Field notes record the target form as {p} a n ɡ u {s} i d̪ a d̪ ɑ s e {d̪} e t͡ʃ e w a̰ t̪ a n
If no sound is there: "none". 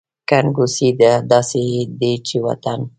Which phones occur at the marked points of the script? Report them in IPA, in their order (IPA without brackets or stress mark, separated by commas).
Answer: k, s, d̪